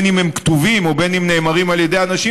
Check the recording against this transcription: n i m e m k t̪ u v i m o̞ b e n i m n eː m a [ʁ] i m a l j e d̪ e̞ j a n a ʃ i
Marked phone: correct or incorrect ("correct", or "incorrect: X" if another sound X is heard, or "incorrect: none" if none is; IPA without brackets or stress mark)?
correct